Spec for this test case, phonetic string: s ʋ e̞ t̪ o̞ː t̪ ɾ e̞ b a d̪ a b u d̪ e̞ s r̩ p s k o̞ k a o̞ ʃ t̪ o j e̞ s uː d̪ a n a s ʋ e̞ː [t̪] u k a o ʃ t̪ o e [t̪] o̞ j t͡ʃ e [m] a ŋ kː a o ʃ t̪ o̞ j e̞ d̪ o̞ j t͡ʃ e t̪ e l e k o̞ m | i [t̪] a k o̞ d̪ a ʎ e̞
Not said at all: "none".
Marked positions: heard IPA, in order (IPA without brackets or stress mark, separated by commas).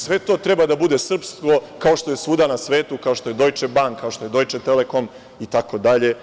t̪, d̪, b, t̪